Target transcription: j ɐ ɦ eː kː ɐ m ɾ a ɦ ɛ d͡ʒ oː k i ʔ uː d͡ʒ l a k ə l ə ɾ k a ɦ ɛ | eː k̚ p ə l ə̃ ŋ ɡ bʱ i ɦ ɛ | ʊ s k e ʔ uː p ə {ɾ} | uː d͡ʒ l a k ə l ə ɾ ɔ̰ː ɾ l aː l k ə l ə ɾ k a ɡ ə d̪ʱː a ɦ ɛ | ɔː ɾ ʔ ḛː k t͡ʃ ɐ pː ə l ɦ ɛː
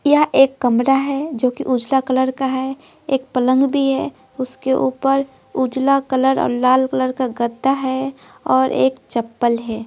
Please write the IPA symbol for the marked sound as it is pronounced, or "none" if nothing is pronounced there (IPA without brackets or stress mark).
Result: ɾ